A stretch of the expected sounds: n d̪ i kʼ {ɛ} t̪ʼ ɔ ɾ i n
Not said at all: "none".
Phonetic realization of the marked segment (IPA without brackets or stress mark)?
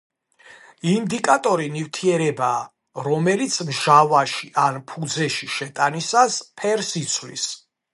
a